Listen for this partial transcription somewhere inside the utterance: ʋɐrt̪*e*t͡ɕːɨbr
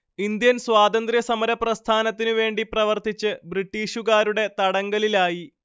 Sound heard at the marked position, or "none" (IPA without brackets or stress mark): i